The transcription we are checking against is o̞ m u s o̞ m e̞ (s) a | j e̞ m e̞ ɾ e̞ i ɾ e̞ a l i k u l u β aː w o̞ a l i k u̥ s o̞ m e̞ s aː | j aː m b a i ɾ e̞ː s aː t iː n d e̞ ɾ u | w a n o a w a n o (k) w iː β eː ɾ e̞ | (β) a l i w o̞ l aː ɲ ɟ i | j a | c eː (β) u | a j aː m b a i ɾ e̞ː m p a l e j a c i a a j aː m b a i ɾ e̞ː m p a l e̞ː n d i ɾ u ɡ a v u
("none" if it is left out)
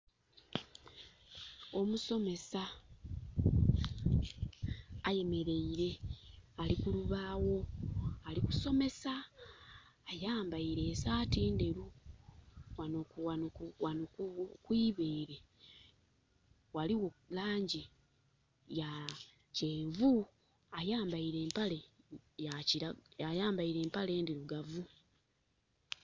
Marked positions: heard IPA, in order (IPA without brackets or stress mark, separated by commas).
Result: s, k, w, v